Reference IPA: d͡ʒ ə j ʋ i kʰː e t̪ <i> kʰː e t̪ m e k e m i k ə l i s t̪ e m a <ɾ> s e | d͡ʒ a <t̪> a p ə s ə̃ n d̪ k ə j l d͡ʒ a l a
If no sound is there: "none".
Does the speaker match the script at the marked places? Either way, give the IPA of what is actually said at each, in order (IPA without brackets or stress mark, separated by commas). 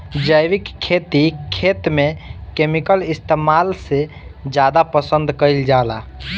i, l, d̪